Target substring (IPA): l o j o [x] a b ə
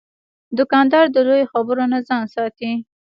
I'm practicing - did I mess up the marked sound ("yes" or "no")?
no